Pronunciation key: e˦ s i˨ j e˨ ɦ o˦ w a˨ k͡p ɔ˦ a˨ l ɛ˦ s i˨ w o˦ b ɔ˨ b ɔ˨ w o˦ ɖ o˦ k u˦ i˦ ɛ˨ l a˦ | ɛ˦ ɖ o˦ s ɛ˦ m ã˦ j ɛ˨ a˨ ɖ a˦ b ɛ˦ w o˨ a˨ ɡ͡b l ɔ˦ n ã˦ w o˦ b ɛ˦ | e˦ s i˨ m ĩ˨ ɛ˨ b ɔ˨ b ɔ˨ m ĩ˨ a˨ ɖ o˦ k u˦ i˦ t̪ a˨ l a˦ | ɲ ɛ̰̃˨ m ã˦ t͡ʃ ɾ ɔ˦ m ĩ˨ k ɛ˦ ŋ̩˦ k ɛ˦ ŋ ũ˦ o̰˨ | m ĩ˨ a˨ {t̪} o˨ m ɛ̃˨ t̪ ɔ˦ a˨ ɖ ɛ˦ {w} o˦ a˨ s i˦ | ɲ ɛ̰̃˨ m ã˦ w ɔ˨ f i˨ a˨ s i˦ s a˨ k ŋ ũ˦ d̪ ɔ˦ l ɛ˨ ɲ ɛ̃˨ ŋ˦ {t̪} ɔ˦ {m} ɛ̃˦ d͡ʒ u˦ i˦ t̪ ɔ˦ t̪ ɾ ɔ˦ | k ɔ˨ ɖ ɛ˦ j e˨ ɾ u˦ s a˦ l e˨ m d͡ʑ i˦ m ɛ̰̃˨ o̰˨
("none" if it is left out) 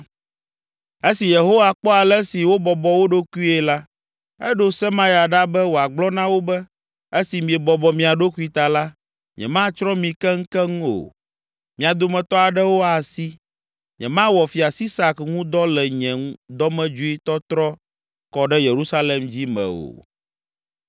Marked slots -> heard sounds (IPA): d̪, w, d̪, m

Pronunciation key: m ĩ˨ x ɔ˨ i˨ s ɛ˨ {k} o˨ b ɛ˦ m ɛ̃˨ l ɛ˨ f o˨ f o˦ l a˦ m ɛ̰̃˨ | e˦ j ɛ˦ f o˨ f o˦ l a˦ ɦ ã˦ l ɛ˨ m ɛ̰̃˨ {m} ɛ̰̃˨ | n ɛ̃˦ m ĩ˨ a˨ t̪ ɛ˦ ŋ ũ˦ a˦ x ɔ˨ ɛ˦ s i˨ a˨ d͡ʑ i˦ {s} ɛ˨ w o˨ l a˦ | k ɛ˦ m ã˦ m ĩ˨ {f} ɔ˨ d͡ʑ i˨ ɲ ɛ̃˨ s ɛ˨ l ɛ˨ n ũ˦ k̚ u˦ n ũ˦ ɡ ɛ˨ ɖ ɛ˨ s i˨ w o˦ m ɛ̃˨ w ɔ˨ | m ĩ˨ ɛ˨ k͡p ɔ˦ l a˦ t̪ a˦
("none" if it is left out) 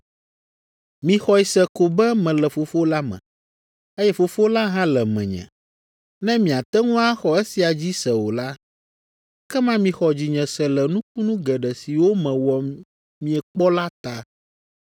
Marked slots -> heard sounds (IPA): k, ɲ, s, x

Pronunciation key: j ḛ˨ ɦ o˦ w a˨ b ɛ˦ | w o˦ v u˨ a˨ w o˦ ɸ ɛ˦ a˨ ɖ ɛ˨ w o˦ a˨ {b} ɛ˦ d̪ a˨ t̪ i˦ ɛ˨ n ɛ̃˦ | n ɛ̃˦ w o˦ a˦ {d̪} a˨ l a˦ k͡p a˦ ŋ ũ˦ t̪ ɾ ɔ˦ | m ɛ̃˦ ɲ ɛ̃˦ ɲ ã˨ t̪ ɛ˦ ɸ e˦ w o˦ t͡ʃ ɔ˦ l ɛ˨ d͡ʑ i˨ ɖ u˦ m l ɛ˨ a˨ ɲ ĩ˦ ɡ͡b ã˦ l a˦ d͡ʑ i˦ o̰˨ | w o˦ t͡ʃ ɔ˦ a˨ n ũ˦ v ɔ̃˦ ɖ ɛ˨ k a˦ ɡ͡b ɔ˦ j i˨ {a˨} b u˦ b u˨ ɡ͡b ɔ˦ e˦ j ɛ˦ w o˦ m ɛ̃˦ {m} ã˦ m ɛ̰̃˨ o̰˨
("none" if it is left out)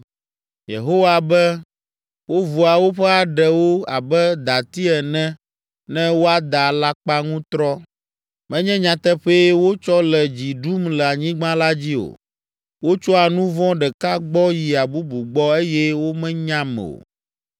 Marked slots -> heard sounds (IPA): b, d̪, a˨, ɲ

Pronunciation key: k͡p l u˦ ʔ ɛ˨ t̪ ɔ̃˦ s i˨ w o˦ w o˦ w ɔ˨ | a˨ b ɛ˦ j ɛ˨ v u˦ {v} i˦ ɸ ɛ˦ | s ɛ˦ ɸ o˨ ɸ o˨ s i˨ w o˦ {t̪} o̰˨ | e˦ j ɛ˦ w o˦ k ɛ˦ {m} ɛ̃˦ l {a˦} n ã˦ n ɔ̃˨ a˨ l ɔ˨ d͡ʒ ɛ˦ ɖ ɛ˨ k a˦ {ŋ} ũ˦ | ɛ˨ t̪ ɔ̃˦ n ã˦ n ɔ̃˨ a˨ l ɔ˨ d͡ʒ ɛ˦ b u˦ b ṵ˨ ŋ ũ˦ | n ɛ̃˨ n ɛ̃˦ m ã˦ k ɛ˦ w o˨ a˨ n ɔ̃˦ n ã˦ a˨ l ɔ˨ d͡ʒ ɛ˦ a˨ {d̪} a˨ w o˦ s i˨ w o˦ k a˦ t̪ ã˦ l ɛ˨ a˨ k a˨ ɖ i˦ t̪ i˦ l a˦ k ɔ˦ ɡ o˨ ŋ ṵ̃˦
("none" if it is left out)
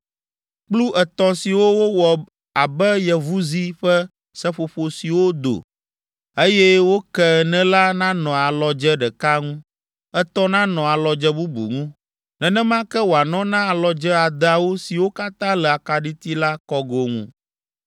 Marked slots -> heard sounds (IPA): z, d̪, n, a˦, ŋ, d̪

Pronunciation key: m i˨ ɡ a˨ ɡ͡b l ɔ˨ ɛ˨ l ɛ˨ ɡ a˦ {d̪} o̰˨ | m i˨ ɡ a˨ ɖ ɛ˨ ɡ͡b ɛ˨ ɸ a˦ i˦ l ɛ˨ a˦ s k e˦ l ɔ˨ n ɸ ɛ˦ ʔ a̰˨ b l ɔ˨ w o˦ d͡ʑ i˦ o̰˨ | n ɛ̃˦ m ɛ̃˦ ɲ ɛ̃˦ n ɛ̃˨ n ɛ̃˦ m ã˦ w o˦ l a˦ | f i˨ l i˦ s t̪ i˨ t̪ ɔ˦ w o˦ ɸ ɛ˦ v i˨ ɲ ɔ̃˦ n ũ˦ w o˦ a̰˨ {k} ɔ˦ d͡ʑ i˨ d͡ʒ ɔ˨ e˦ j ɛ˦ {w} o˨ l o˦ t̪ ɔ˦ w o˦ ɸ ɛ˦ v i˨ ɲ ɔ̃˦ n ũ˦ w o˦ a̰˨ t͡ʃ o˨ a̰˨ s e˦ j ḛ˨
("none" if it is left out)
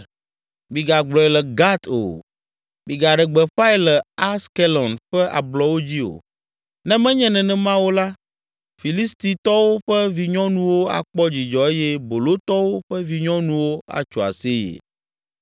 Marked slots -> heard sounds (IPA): t̪, k͡p, b

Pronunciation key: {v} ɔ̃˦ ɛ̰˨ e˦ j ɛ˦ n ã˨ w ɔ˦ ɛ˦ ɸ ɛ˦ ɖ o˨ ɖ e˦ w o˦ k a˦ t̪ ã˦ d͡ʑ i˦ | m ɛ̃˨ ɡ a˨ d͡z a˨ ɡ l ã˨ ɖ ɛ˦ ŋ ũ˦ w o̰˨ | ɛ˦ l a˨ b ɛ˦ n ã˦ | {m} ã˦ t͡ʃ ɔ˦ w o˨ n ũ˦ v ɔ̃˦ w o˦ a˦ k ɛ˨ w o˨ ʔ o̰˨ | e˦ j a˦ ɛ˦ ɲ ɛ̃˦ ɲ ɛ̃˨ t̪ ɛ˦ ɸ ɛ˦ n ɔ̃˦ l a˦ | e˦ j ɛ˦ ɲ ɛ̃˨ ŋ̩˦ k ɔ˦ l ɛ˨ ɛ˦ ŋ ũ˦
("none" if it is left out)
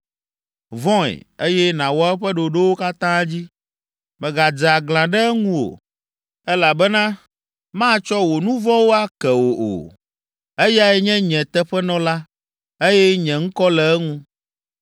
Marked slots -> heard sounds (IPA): v, m

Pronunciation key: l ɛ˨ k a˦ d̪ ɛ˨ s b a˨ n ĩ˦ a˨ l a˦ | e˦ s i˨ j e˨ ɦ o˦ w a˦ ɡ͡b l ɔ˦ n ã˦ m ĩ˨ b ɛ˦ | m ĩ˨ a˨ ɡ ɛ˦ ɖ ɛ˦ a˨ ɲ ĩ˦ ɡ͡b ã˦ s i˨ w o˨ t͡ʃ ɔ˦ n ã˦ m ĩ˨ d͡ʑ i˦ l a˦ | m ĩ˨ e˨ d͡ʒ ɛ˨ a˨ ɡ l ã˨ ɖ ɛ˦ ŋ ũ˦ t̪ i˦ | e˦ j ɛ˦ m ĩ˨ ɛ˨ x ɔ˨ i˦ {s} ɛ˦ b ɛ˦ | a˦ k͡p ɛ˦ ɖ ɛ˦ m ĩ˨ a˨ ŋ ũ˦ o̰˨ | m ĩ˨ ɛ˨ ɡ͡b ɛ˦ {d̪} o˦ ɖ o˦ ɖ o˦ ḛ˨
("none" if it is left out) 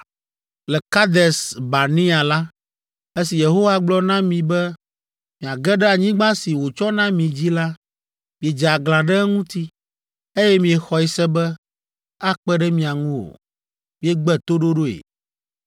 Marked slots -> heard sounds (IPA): s, t̪

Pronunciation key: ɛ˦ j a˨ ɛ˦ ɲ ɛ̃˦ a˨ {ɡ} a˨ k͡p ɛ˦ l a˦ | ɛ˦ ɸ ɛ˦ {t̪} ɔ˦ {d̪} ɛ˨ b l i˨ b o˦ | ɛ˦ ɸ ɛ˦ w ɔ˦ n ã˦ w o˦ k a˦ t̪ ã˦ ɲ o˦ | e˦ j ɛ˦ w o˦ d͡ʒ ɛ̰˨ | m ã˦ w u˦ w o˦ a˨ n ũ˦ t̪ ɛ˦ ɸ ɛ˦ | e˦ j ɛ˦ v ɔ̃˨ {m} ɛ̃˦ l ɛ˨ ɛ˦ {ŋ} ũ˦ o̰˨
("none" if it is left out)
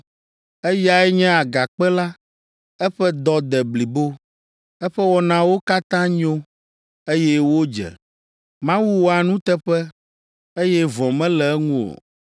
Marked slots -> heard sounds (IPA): ɡ, d̪, d̪, m, ŋ

